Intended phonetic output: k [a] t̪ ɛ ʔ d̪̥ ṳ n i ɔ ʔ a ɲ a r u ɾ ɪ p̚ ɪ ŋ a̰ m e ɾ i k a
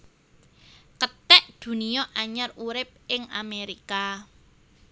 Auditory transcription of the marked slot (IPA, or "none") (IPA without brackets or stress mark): ə